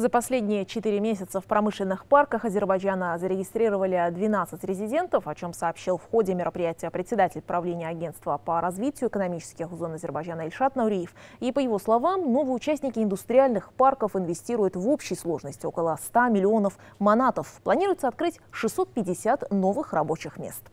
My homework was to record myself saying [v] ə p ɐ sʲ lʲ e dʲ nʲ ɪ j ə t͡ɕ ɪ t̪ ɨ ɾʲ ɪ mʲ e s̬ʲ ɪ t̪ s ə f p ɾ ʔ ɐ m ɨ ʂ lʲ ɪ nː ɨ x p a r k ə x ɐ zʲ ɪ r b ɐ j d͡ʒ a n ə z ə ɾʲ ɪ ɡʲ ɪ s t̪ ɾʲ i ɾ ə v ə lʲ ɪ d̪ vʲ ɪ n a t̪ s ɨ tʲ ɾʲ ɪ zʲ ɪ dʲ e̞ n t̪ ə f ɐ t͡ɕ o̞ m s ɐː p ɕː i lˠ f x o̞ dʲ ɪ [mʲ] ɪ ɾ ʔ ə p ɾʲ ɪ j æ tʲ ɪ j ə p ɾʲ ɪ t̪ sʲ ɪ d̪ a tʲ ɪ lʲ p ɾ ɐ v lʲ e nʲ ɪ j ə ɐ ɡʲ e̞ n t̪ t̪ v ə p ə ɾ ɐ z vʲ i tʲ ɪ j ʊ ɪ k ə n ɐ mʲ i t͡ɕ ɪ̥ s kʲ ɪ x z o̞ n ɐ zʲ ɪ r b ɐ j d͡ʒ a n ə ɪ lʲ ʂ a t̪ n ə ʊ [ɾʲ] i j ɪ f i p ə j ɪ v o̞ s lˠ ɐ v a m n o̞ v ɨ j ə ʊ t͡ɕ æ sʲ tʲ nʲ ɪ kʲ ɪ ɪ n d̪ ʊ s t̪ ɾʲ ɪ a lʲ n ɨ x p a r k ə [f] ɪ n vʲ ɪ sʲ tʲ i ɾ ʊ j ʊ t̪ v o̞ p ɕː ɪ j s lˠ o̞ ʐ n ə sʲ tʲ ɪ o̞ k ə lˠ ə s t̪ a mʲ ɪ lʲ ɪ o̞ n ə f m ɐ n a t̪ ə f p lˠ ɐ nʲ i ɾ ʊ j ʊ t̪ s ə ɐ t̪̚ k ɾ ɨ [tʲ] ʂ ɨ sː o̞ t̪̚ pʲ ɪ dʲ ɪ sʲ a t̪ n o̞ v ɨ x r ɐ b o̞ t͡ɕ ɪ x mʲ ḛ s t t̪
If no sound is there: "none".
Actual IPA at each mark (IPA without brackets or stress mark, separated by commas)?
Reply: z, mʲ, ɾʲ, f, tʲ